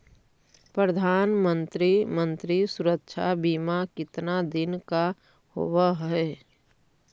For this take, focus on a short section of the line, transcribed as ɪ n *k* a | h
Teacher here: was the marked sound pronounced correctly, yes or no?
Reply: yes